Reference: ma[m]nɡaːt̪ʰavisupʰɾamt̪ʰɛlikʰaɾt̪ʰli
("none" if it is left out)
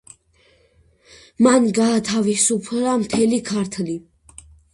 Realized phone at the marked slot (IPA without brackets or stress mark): none